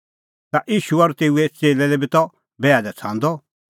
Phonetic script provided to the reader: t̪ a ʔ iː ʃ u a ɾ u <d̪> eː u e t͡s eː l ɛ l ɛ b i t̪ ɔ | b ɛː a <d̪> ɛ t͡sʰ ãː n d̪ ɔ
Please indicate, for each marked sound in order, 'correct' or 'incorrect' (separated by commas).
incorrect, correct